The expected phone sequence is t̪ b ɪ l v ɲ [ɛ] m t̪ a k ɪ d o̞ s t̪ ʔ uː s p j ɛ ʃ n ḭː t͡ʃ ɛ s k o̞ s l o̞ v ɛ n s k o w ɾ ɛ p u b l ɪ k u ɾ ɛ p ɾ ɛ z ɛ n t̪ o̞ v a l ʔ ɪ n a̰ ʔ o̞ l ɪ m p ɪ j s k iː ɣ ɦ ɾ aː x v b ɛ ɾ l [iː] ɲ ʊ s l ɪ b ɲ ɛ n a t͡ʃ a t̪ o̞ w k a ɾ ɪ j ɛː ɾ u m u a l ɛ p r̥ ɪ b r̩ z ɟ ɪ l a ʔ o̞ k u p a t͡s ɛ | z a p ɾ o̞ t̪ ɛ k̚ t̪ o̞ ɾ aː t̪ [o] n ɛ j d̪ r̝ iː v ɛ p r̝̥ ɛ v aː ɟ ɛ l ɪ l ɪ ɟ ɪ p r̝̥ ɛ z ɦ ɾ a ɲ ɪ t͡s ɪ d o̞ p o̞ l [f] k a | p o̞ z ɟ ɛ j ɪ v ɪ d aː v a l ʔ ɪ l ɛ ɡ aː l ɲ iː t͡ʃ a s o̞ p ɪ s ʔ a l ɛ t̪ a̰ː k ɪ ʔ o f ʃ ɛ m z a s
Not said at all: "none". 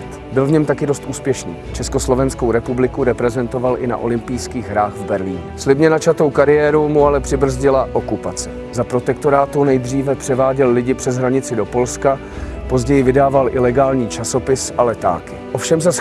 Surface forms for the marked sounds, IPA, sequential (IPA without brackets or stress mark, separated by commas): ɛ, iː, u, s